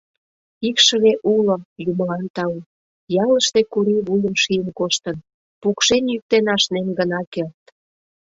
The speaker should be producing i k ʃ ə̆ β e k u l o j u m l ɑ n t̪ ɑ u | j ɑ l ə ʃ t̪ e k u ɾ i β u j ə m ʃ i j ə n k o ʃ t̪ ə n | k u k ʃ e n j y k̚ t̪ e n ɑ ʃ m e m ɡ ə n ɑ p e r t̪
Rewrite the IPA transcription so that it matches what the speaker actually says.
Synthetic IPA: i k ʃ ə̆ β e ʔ u l o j u m l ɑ n t̪ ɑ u | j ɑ l ə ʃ t̪ e k u ɾ i β u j ə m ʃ i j ə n k o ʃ t̪ ə n | p u k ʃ e n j y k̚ t̪ e n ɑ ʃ n e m ɡ ə n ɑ k e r t̪